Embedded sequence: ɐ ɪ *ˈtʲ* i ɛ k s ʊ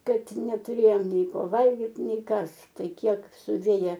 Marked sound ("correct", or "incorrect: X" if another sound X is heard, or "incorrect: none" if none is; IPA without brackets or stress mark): incorrect: kʲ